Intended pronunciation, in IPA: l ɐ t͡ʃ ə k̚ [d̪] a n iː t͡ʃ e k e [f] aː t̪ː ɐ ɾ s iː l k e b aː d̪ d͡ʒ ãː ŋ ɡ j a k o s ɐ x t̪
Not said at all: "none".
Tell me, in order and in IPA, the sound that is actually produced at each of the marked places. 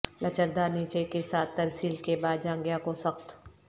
d̪, s

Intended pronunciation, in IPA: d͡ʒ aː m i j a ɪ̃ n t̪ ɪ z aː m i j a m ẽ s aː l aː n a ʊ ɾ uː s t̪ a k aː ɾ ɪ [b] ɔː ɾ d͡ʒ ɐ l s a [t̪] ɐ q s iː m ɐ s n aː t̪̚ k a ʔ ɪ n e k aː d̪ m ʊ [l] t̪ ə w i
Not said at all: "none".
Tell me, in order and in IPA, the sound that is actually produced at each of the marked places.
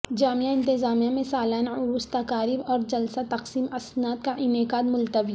b, t̪, l

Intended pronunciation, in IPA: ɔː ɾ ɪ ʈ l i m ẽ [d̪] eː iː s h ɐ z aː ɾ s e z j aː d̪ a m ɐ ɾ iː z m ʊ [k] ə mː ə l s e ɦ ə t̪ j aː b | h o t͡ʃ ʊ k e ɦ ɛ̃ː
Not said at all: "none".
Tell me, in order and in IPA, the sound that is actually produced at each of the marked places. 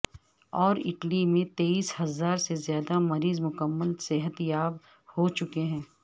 t̪, k

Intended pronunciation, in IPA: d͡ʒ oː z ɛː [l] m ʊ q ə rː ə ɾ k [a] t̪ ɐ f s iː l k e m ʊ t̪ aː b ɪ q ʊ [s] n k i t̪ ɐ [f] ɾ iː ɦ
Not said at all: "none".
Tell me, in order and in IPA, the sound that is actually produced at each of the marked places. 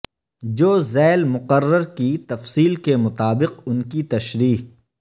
l, i, none, ʃ

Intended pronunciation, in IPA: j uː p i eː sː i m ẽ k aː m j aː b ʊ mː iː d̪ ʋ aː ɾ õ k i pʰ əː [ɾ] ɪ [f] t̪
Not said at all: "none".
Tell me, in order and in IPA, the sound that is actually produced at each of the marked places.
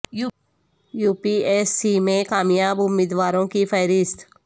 ɾ, s

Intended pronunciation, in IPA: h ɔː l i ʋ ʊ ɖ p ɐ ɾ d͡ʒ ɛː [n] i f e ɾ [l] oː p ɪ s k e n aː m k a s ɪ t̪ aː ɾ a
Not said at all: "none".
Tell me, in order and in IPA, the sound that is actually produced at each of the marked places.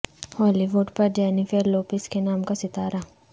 n, l

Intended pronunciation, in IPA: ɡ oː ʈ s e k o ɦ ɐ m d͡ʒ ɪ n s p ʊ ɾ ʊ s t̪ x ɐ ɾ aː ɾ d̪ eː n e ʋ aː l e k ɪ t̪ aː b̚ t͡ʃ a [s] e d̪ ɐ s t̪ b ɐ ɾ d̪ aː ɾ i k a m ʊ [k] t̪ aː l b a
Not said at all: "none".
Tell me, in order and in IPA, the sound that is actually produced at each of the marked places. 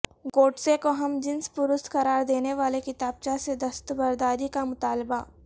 s, none

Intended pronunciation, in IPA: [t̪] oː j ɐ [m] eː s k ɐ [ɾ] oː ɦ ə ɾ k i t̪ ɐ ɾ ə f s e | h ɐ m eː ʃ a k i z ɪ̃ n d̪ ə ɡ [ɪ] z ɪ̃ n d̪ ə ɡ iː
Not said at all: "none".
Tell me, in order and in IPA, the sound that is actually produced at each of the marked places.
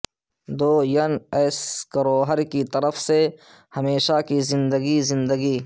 d̪, n, ɾ, i

